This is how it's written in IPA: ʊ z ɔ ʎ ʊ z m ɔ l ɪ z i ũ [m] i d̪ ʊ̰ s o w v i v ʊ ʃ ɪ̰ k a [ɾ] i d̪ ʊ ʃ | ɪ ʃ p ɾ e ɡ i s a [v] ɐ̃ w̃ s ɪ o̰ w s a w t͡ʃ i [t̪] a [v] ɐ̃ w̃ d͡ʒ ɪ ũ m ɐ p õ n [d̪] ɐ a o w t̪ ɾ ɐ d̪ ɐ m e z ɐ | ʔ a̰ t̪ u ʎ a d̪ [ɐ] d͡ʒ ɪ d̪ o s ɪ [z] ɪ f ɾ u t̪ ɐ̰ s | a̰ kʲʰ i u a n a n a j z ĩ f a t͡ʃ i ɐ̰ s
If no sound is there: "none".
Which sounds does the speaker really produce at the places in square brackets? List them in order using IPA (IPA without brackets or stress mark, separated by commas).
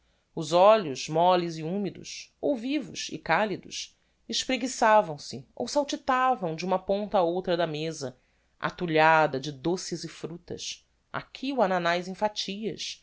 m, l, v, t̪, v, t̪, ɐ, z